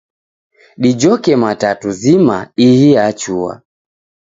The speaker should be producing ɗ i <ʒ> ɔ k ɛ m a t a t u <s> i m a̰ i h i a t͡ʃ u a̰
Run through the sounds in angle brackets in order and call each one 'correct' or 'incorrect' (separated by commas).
incorrect, incorrect